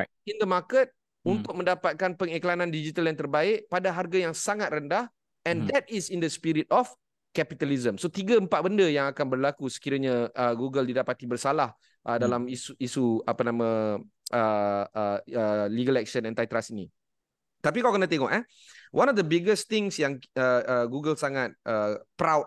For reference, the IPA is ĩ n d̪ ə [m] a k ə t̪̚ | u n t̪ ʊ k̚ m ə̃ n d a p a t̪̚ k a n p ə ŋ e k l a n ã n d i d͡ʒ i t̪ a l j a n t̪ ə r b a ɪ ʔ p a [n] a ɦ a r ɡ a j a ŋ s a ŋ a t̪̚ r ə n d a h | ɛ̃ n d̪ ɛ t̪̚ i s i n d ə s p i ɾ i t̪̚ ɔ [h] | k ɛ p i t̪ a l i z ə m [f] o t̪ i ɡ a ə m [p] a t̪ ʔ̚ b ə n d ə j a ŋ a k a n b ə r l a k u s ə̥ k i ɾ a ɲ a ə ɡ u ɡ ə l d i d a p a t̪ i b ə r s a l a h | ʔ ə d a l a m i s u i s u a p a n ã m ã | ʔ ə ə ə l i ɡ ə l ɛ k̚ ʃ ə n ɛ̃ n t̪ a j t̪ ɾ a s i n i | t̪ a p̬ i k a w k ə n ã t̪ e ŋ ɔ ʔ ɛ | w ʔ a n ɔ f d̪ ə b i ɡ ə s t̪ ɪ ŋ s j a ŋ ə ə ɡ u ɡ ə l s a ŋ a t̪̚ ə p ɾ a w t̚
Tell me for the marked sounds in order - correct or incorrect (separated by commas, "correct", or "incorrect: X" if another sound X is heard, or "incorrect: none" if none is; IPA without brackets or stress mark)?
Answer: correct, incorrect: d, incorrect: f, incorrect: s, correct